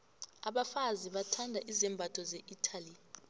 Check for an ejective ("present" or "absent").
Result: absent